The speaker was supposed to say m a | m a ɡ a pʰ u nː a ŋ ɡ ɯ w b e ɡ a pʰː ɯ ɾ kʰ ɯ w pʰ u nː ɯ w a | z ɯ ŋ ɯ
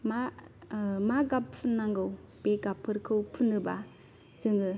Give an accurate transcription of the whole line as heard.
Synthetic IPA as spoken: m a | m a ɡ a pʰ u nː a ŋ ɡ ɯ w b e ɡ a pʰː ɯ ɾ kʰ ɯ w pʰ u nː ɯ b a | z ɯ ŋ ɯ